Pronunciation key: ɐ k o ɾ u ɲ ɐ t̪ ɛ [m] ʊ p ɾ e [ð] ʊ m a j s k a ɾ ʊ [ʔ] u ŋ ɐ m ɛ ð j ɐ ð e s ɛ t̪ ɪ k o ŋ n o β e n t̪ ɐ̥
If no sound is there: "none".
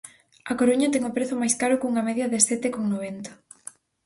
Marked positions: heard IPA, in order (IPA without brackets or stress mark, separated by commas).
ŋ, θ, k